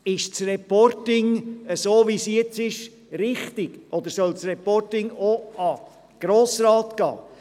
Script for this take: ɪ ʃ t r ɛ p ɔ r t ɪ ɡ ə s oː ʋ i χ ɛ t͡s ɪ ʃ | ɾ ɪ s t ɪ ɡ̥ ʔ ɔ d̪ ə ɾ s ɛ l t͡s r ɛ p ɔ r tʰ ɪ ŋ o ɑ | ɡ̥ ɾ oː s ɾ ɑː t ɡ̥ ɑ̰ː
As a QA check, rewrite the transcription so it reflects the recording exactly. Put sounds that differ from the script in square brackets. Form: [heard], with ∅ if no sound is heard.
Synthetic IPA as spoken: ɪ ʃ [t͡s] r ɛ p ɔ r t ɪ [ŋ] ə s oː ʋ i [s] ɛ t͡s ɪ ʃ | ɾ ɪ [χ] t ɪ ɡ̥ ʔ ɔ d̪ ə ɾ s [œ] l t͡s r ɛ p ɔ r [t] ɪ ŋ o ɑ | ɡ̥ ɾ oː s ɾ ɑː t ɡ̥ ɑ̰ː